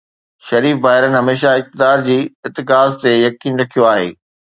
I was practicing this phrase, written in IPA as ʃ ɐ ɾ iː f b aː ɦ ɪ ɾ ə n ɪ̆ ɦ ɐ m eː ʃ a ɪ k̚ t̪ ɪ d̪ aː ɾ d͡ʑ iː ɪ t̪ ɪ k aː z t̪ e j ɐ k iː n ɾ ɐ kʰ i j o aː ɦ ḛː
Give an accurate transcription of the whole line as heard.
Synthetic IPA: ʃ ɐ ɾ iː f b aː ɦ ɪ ɾ ə n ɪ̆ ɦ ɐ m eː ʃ a ɪ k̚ t̪ ɪ d̪ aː ɾ d͡ʑ iː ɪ t̪ ɪ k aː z t̪ e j ɐ k iː n ɾ ɐ kʰ i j o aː ɦ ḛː